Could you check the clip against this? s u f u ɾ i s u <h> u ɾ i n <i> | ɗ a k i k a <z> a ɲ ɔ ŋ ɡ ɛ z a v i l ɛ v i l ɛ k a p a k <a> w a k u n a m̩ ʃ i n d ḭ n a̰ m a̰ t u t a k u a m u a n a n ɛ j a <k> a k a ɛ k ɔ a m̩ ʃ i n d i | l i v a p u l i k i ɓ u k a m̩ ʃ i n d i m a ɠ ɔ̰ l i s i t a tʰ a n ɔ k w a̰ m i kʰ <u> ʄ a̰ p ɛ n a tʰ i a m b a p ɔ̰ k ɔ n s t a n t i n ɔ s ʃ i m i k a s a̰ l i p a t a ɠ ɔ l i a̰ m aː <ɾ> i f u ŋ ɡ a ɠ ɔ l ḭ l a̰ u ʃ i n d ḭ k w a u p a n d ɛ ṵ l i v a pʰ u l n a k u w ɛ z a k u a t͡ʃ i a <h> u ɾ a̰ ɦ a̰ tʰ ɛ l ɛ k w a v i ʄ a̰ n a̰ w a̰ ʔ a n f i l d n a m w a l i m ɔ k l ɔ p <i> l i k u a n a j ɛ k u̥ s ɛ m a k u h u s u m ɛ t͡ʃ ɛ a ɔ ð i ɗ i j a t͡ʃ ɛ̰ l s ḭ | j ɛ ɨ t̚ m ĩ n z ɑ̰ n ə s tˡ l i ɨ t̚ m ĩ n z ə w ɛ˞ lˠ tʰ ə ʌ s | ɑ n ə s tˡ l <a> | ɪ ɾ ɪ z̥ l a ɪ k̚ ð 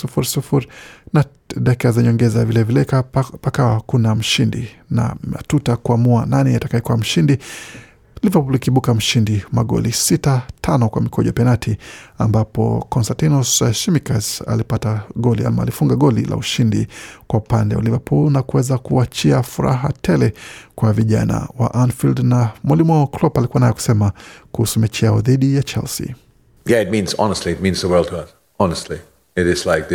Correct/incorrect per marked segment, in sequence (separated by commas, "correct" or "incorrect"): incorrect, incorrect, correct, correct, incorrect, incorrect, incorrect, incorrect, incorrect, incorrect